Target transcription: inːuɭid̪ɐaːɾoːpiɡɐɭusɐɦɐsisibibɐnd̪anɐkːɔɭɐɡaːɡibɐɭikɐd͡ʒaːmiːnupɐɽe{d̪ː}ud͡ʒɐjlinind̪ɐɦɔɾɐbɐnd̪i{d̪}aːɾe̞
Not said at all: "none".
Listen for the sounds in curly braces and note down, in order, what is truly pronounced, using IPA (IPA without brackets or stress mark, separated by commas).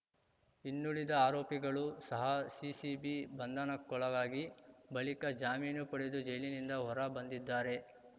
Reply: d̪, d̪ː